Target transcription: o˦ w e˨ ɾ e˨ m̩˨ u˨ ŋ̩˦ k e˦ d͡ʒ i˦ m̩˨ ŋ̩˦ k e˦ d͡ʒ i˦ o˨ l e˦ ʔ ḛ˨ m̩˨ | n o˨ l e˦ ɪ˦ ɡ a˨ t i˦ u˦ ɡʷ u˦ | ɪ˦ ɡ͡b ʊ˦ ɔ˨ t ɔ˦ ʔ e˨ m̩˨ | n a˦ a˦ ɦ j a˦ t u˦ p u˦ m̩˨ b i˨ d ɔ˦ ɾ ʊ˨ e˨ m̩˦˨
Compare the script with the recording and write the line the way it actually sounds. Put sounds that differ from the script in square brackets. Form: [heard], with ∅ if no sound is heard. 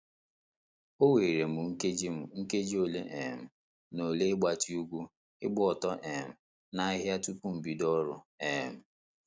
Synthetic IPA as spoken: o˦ w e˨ ɾ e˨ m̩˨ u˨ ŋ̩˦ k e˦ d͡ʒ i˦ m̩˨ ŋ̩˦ k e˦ d͡ʒ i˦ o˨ l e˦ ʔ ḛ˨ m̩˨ | n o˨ l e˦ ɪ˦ [ɡ͡b] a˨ t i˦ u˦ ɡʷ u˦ | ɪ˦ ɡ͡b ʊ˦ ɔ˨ t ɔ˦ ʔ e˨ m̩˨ | n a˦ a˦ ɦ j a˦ t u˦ p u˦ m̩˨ b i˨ d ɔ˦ ɾ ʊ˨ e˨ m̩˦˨